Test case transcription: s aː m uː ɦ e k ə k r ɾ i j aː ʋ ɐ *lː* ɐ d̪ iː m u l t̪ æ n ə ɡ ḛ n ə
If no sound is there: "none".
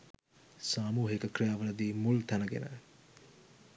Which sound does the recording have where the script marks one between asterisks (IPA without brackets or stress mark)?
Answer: l